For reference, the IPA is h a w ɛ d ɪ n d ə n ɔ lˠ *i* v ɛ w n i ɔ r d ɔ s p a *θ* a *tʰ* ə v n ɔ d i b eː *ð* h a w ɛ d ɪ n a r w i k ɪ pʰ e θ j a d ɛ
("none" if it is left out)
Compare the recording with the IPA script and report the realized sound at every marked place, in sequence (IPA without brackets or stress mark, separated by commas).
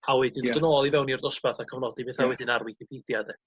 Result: i, θ, kʰ, θ